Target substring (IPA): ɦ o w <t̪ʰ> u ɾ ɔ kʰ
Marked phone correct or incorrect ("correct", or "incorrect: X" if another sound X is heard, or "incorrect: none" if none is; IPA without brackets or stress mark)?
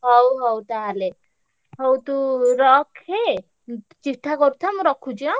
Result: incorrect: t̪